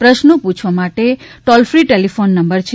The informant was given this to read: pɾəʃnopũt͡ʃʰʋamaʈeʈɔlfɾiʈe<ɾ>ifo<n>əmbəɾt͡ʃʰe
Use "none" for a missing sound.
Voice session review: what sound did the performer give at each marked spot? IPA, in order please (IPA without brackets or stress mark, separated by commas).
l, nː